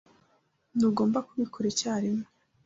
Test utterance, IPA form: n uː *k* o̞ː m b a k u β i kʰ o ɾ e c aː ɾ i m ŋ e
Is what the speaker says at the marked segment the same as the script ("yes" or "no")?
no